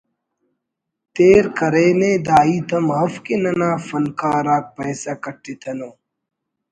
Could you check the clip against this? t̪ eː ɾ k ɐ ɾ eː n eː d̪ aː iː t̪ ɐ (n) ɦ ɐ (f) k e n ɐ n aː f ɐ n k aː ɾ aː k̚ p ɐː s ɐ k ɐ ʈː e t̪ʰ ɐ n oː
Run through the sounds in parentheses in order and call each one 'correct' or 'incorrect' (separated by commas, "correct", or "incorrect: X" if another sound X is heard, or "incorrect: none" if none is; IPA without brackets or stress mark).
incorrect: m, correct